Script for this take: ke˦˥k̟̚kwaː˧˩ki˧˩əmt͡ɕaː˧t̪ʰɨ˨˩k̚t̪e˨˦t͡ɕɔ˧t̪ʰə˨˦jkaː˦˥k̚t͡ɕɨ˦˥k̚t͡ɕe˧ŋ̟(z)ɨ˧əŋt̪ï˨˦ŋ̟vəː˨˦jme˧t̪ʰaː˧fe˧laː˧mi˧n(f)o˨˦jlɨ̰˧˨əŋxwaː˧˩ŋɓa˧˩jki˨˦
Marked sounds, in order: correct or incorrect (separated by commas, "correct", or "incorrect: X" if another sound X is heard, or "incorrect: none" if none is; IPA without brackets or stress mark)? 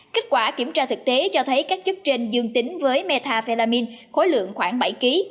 correct, incorrect: x